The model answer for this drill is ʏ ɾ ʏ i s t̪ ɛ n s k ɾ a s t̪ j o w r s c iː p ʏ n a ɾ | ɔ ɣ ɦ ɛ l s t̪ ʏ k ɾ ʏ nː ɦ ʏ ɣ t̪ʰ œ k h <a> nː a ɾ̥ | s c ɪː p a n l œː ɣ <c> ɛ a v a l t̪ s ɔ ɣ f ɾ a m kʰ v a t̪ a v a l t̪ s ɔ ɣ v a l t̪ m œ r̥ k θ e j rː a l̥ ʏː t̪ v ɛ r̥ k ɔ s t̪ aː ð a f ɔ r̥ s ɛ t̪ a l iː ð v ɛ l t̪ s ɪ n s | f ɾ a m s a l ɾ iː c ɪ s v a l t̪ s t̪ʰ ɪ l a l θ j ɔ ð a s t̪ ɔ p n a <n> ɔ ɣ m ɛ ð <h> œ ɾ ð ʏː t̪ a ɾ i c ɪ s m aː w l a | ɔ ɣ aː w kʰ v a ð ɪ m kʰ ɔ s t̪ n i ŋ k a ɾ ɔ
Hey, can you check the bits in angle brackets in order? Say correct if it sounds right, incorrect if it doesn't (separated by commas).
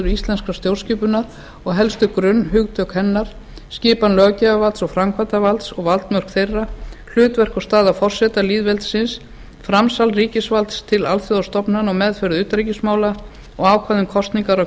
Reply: incorrect, correct, correct, incorrect